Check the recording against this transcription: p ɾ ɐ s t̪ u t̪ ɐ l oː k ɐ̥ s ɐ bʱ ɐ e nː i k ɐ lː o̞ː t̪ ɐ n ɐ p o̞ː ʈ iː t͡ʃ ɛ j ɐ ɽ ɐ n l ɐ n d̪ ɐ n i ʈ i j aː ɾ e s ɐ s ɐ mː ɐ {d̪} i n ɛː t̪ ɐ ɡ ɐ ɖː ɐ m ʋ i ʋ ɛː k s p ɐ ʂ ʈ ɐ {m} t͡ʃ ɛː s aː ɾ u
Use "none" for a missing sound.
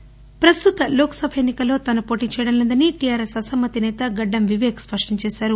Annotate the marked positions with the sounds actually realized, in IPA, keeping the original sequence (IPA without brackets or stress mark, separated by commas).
t̪, ɲ